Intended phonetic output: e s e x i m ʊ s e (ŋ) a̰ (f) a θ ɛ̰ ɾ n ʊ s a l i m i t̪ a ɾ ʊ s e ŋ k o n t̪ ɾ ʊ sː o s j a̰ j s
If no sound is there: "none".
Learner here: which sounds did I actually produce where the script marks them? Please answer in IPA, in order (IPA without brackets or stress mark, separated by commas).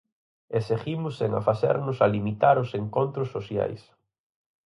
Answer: ŋ, f